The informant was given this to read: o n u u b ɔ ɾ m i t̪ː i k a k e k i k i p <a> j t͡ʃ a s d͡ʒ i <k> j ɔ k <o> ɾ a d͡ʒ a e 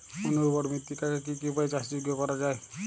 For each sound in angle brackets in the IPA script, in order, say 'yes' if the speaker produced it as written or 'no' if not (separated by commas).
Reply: yes, no, no